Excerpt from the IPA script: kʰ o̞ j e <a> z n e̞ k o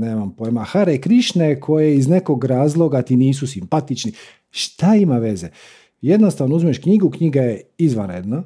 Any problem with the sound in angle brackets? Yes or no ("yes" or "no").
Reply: yes